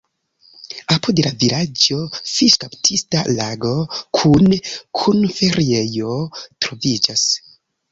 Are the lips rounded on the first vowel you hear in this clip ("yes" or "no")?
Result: no